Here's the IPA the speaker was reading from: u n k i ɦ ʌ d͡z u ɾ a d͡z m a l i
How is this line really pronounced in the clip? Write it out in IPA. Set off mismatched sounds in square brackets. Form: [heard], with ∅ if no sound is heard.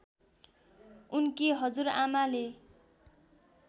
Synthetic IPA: u n k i ɦ ʌ d͡z u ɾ a [∅] m a l [e]